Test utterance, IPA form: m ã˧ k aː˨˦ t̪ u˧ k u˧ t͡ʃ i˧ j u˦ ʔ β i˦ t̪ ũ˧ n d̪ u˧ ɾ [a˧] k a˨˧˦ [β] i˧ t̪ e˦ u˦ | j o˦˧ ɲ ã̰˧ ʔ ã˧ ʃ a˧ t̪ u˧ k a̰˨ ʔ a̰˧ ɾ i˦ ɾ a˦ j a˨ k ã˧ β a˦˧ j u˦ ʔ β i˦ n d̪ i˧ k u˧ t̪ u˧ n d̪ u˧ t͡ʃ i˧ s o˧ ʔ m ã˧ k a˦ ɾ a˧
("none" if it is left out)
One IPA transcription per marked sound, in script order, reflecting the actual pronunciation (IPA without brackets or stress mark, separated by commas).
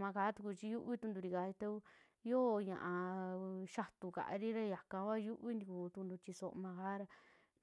i˧, none